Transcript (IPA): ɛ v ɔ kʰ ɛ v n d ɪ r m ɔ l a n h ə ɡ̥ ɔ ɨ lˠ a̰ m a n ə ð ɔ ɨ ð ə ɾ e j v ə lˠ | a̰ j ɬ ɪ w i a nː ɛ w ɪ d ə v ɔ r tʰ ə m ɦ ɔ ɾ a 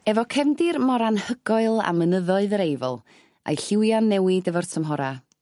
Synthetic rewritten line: ɛ v ɔ kʰ ɛ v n d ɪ r m ɔ ɾ a n h ə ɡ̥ ɔ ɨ lˠ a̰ m ə n ə ð ɔ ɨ ð ə ɾ e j v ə lˠ | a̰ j ɬ ɪ w j a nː ɛ w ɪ d ə v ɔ r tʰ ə m ɦ ɔ ɾ a